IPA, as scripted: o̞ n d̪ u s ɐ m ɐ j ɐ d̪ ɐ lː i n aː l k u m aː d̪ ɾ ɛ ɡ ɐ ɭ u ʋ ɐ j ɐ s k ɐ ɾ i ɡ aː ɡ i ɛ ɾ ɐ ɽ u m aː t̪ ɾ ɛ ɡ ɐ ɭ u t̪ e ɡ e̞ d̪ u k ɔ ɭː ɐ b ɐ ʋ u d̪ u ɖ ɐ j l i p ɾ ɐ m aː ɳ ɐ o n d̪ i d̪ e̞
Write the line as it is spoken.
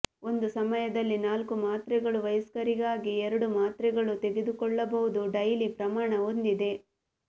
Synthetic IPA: o̞ n d̪ u s ɐ m ɐ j ɐ d̪ ɐ lː i n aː l k u m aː t̪ ɾ ɛ ɡ ɐ ɭ u ʋ ɐ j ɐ s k ɐ ɾ i ɡ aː ɡ i ɛ ɾ ɐ ɽ u m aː t̪ ɾ ɛ ɡ ɐ ɭ u t̪ e ɡ e̞ d̪ u k ɔ ɭː ɐ b ɐ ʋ u d̪ u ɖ ɐ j l i p ɾ ɐ m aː ɳ ɐ o n d̪ i d̪ e̞